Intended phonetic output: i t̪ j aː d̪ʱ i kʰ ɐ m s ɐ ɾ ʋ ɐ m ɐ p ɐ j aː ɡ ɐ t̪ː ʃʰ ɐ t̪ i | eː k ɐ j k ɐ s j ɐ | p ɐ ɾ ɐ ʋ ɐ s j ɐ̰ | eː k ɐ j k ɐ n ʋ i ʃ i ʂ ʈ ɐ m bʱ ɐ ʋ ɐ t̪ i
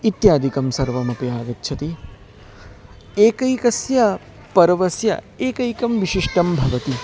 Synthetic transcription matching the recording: i t̪ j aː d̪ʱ i k ɐ m s ɐ ɾ ʋ ɐ m ɐ p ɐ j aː ɡ ɐ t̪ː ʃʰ ɐ t̪ i | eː k ɐ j k ɐ s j ɐ | p ɐ ɾ ɐ ʋ ɐ s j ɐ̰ | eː k ɐ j k ɐ m ʋ i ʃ i ʂ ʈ ɐ m bʱ ɐ ʋ ɐ t̪ i

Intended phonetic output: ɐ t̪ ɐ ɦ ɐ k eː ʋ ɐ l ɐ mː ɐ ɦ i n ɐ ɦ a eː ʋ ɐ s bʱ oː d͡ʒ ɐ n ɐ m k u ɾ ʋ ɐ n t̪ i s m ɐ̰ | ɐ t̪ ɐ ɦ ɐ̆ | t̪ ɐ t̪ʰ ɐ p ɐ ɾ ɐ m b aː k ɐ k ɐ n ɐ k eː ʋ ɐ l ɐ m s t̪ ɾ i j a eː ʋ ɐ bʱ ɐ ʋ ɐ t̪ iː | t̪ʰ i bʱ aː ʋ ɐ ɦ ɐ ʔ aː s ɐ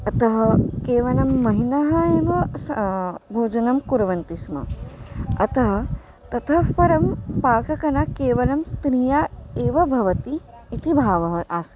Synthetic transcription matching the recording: ɐ t̪ ɐ ɦ ɐ k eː ʋ ɐ l ɐ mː ɐ ɦ i n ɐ ɦ ɐ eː ʋ ɐ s bʱ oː d͡ʒ ɐ n ɐ m k u ɾ ʋ ɐ n t̪ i s m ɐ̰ | ɐ t̪ ɐ ɦ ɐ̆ | t̪ ɐ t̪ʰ ɐ p ɐ ɾ ɐ m p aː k ɐ k ɐ n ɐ k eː ʋ ɐ l ɐ m s t̪ ɾ i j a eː ʋ ɐ bʱ ɐ ʋ ɐ t̪ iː | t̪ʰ i bʱ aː ʋ ɐ ɦ ɐ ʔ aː s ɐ

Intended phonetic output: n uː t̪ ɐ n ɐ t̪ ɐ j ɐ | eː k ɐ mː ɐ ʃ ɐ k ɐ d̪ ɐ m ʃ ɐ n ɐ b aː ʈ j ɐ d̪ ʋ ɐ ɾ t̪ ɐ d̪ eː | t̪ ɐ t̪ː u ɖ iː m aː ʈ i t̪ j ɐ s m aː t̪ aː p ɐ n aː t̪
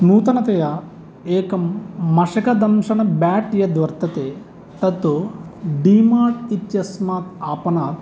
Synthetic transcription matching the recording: n uː t̪ ɐ n ɐ t̪ ɐ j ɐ | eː k ɐ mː ɐ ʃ ɐ k ɐ d̪ ɐ m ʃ ɐ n ɐ b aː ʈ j ɐ d̪ ʋ ɐ ɾ t̪ ɐ t̪ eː | t̪ ɐ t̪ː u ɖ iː m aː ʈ i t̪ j ɐ s m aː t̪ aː p ɐ n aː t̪

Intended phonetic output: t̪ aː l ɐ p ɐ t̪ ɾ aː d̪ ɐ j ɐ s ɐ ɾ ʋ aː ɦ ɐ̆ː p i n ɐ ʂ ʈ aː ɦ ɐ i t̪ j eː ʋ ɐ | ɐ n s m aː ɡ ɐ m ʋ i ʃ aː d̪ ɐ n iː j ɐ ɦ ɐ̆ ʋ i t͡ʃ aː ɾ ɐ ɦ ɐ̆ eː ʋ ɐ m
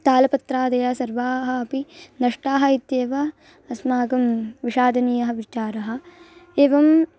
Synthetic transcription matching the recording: t̪ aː l ɐ p ɐ t̪ ɾ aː d̪ ɐ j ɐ s ɐ ɾ ʋ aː ɦ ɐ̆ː p i n ɐ ʂ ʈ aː ɦ ɐ i t̪ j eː ʋ ɐ | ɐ s m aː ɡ ɐ m ʋ i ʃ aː d̪ ɐ n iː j ɐ ɦ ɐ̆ ʋ i t͡ʃ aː ɾ ɐ ɦ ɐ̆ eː ʋ ɐ m

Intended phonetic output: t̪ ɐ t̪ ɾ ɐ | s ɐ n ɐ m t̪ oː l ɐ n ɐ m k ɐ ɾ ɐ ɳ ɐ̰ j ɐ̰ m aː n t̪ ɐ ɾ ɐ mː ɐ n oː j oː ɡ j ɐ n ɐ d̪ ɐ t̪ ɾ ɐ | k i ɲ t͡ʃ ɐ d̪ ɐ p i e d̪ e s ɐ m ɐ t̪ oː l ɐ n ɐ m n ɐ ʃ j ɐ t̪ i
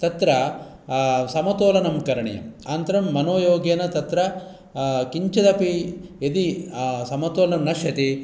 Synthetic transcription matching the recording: t̪ ɐ t̪ ɾ ɐ | s ɐ m ɐ t̪ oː l ɐ n ɐ m k ɐ ɾ ɐ ɳ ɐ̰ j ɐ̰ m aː n t̪ ɐ ɾ ɐ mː ɐ n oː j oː ɡ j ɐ n ɐ t̪ ɐ t̪ ɾ ɐ | k i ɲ t͡ʃ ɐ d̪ ɐ p i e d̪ i s ɐ m ɐ t̪ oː l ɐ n ɐ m n ɐ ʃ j ɐ t̪ i

